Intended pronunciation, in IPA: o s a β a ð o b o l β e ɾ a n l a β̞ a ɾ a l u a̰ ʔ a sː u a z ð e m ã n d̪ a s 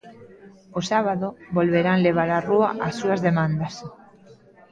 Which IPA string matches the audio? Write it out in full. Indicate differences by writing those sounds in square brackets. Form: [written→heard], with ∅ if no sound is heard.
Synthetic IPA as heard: o s a β a ð o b o l β e ɾ a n l [a→e] β̞ a ɾ a [l→r] u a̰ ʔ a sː u a z ð e m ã n d̪ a s